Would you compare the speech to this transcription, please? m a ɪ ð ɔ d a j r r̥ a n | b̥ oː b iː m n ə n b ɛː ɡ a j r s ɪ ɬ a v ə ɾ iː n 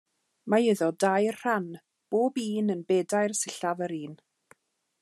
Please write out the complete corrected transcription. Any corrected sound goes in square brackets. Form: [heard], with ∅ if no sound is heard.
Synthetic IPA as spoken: m a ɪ ð ɔ d a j r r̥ a n | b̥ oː b iː [∅] n ə n b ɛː [d] a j r s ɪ ɬ a v ə ɾ iː n

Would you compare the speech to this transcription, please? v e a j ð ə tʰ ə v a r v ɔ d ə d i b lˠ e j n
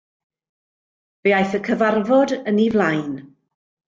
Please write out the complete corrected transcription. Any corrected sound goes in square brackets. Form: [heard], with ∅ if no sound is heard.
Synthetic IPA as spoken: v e a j [θ] ə [kʰ] ə v a r v ɔ d ə [n] i [v] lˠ [a] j n

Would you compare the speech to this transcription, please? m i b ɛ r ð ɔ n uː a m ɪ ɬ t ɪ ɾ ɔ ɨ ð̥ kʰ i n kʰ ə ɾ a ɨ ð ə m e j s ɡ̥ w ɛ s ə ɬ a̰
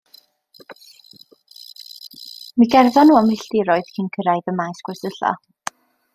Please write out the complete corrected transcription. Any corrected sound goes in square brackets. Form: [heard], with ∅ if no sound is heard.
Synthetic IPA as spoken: m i [ɡ] ɛ r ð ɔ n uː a m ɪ ɬ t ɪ ɾ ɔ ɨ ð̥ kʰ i n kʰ ə ɾ a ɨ ð ə m [a] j s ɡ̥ w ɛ s ə ɬ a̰

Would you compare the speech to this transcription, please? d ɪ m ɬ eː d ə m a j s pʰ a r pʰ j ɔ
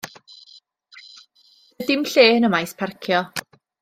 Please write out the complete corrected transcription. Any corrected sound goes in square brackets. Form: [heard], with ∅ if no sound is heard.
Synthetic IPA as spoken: d ɪ m ɬ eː [n] ə m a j s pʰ a r [kʰ] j ɔ

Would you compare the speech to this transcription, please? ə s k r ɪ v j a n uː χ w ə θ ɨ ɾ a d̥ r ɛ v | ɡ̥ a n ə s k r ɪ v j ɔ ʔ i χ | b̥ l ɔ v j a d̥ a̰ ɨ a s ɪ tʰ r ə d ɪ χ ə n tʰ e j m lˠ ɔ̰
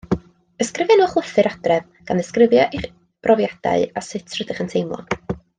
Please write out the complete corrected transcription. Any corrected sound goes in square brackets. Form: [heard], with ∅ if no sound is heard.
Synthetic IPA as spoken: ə s k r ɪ v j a n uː χ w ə θ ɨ ɾ a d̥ r ɛ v | ɡ̥ a n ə s k r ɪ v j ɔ ʔ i χ | b̥ [r] ɔ v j a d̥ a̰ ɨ a s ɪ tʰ r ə d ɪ χ ə n tʰ e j m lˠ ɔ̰

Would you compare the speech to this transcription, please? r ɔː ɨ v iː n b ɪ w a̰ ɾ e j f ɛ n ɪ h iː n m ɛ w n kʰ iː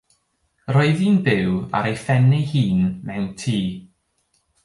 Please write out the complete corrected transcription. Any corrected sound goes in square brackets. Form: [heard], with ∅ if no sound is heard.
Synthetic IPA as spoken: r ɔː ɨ [ð] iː n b ɪ w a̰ ɾ e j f ɛ n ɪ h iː n m ɛ w n [tʰ] iː

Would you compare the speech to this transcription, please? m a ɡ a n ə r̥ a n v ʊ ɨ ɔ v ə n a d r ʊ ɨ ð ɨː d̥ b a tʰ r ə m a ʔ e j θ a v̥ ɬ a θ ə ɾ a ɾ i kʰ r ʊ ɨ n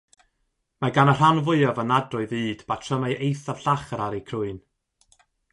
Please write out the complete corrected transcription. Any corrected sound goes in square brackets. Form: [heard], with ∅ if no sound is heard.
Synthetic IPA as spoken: m a ɡ a n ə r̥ a n v ʊ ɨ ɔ v ə n a d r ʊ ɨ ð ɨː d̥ b a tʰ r ə m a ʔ e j θ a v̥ ɬ a [χ] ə ɾ a ɾ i kʰ r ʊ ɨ n

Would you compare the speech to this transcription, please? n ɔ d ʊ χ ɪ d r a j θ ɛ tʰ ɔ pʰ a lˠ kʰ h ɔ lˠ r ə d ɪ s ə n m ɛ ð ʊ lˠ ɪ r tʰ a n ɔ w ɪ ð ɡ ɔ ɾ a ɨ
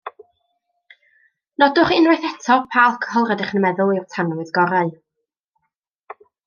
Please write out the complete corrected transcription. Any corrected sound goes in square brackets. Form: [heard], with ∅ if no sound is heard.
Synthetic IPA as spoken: n ɔ d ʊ χ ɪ [n] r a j θ ɛ tʰ ɔ pʰ a lˠ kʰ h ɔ lˠ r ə d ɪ [χ] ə n m ɛ ð ʊ lˠ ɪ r tʰ a n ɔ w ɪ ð ɡ ɔ ɾ a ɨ

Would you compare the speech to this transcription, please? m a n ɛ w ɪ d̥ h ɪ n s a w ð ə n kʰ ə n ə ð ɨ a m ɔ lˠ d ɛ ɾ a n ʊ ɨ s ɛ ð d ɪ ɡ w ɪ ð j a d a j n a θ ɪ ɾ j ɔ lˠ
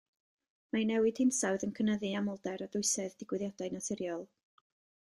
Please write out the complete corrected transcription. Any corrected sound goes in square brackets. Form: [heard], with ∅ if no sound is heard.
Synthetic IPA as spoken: m a n ɛ w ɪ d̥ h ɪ n s a w ð ə n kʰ ə n ə ð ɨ a m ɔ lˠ d ɛ ɾ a [d] ʊ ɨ s ɛ ð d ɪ ɡ w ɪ ð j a d a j n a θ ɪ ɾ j ɔ lˠ

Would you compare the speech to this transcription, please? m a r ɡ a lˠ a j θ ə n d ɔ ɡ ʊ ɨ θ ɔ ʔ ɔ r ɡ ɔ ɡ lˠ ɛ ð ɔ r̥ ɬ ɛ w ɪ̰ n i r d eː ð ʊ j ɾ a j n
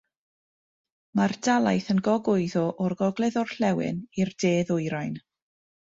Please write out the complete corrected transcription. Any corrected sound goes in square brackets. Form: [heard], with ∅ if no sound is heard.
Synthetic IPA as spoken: m a r [d] a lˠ a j θ ə n [ɡ] ɔ ɡ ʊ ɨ [ð] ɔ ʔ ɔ r ɡ ɔ ɡ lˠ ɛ ð ɔ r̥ ɬ ɛ w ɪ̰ n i r d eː ð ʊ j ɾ a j n

